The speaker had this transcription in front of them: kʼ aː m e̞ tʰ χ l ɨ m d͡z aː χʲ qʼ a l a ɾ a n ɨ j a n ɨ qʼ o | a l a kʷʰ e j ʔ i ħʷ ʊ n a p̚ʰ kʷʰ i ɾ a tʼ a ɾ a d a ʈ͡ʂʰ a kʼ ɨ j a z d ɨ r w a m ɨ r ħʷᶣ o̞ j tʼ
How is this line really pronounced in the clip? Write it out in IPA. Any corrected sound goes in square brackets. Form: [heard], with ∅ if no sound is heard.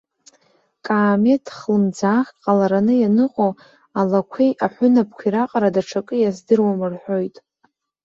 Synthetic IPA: kʼ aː m e̞ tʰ χ l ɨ m d͡z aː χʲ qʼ a l a ɾ a n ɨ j a n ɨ qʼ o | a l a kʷʰ e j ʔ [a] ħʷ ʊ n a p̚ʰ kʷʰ i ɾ a [qʼ] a ɾ a d a ʈ͡ʂʰ a kʼ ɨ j a z d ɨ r w a m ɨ r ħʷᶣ o̞ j tʼ